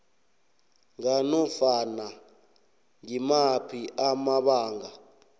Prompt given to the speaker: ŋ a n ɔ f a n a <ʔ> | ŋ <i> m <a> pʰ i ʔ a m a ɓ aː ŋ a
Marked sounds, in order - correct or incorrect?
incorrect, correct, correct

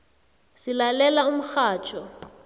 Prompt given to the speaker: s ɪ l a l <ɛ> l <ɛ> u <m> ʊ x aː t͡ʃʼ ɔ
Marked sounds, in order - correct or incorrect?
correct, incorrect, correct

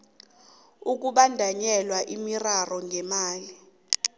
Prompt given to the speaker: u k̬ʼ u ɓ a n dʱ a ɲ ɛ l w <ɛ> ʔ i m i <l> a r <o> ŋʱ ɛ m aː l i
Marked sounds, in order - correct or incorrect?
incorrect, incorrect, incorrect

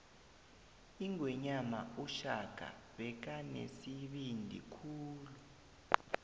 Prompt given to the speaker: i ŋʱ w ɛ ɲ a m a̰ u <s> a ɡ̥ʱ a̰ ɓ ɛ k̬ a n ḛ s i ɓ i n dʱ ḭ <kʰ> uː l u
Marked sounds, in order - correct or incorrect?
incorrect, correct

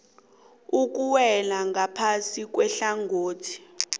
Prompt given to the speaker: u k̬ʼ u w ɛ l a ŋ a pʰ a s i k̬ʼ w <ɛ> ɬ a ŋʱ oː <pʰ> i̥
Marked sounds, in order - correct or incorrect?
correct, incorrect

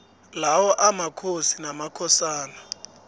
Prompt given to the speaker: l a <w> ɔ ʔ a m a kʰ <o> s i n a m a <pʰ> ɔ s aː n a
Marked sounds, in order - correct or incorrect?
correct, correct, incorrect

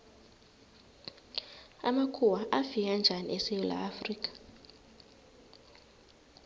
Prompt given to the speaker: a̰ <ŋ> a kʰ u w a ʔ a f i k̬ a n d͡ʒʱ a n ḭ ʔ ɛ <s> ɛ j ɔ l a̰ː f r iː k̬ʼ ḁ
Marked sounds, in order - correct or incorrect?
incorrect, correct

